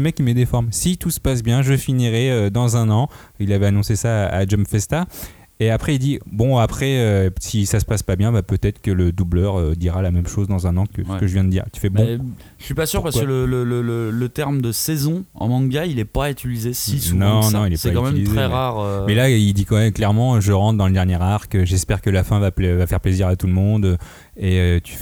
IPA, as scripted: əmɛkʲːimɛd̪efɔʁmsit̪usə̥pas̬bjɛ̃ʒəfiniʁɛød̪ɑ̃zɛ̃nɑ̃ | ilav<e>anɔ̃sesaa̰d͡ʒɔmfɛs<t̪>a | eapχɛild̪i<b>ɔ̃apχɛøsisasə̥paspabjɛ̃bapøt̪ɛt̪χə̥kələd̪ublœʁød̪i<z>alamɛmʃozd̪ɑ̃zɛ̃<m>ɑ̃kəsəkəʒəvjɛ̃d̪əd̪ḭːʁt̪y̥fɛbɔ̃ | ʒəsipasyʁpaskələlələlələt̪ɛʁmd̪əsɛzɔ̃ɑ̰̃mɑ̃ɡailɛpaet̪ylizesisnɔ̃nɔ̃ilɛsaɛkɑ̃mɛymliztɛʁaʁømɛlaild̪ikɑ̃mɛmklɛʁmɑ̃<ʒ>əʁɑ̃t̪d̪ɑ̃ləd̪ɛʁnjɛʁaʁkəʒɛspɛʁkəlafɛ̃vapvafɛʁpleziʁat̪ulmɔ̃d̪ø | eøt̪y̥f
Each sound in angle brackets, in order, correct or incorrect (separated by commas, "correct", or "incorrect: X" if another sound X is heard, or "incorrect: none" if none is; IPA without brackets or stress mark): incorrect: ɛ, correct, correct, incorrect: ʁ, incorrect: n, correct